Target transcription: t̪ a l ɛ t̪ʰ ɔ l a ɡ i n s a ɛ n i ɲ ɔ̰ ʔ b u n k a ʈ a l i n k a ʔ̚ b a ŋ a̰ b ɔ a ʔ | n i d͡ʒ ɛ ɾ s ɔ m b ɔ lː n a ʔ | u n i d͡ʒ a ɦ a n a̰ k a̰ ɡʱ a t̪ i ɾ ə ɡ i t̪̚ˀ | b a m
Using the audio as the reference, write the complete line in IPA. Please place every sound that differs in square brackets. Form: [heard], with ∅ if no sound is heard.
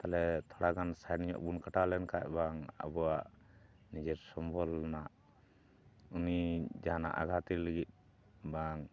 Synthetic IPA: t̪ a l ɛ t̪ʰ ɔ [ɽ] a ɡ [a] n s a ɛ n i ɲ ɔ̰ ʔ b u n k a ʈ a l [ɛ] n k a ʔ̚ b a ŋ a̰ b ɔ a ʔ | n i d͡ʒ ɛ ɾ s ɔ m b ɔ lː n a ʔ | u n i d͡ʒ a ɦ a n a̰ [ʔ] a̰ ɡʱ a t̪ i [l] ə ɡ i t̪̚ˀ | b a [ŋ]

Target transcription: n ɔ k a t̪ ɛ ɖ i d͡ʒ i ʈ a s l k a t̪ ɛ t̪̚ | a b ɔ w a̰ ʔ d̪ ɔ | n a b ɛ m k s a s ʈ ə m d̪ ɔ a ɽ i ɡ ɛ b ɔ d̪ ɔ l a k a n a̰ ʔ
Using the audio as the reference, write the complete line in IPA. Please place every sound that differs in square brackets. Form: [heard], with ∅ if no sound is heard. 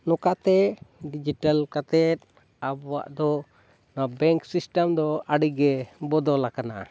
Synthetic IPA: n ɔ k a t̪ ɛ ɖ i d͡ʒ i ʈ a [∅] l k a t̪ ɛ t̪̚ | a b ɔ w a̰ ʔ d̪ ɔ | n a b ɛ [ŋ] k s [i] s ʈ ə m d̪ ɔ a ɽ i ɡ ɛ b ɔ d̪ ɔ l a k a n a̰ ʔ

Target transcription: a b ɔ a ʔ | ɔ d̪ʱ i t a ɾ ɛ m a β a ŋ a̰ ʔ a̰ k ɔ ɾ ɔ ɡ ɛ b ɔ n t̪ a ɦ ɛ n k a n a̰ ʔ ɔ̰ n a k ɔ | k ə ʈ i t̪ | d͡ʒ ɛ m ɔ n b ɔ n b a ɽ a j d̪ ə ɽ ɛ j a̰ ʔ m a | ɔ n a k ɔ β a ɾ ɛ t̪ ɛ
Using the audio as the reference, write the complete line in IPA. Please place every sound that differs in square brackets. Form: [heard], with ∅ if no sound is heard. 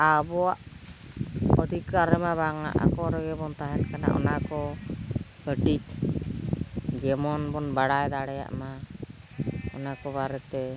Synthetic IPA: a b ɔ a ʔ | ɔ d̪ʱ i [k] a ɾ ɛ m a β a ŋ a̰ ʔ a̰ k ɔ ɾ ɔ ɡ ɛ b ɔ n t̪ a ɦ ɛ n k a n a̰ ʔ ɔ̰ n a k ɔ | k ə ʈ i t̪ | d͡ʒ ɛ m ɔ n b ɔ n b a ɽ a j d̪ [a] ɽ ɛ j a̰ ʔ m a | ɔ n a k ɔ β a ɾ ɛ t̪ ɛ

